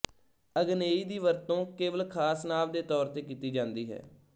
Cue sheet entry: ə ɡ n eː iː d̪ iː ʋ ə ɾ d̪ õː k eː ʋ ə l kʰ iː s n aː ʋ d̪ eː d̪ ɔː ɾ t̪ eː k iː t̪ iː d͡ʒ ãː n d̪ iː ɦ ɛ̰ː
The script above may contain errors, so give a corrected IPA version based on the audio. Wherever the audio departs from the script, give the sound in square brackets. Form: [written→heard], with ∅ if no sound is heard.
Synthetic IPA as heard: ə ɡ n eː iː d̪ iː ʋ ə ɾ [d̪→t̪] õː k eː ʋ ə l kʰ [iː→aː] s n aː ʋ d̪ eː [d̪→t̪] ɔː ɾ t̪ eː k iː t̪ iː d͡ʒ ãː n d̪ iː ɦ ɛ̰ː